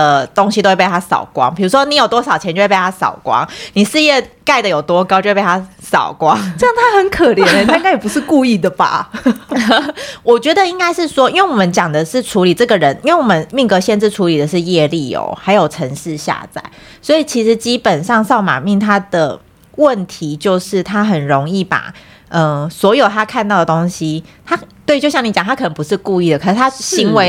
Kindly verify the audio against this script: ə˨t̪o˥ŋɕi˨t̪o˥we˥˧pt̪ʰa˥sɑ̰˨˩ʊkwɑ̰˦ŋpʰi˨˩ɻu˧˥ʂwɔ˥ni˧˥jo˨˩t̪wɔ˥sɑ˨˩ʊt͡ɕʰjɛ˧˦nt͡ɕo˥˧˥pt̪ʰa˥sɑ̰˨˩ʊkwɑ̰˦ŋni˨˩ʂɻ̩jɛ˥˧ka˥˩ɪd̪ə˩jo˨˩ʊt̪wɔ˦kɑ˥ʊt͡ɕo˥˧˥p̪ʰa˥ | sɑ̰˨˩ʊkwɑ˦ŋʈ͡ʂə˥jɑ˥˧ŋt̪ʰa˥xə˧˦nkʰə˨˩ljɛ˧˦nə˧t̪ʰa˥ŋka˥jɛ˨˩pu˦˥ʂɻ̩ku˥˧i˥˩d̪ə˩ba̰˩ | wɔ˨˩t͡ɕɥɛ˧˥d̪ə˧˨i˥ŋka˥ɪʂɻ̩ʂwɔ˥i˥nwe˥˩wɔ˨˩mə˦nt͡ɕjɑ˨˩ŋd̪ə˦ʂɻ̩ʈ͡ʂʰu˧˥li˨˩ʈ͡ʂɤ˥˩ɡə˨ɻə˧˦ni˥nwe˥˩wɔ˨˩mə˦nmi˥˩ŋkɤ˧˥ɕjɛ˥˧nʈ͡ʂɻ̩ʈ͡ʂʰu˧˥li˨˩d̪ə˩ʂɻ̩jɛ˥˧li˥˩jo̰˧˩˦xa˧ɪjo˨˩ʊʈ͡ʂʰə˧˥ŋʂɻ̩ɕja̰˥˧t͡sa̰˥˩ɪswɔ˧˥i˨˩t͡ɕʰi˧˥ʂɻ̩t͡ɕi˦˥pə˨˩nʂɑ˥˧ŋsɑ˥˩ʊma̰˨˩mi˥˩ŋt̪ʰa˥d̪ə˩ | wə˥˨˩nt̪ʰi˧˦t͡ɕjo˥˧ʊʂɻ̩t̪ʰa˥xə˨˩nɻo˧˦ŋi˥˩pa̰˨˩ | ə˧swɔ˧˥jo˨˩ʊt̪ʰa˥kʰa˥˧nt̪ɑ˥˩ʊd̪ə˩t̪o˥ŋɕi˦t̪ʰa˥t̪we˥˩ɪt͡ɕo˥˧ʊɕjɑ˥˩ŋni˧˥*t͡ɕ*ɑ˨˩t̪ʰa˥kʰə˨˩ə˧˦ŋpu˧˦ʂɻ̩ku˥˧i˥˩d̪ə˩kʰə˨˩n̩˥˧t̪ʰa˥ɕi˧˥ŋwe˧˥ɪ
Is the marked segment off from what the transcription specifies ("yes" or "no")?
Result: no